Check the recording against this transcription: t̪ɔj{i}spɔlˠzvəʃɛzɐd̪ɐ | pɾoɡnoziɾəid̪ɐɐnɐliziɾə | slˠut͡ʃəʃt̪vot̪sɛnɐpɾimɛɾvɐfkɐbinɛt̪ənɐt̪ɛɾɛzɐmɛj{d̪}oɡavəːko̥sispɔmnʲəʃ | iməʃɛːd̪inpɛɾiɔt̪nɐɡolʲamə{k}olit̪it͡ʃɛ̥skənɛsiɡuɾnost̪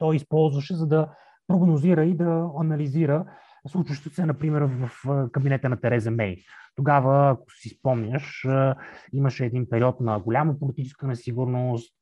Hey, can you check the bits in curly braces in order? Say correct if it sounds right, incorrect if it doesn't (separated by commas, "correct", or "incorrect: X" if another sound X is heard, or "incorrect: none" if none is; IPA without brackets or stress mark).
correct, incorrect: t̪, incorrect: p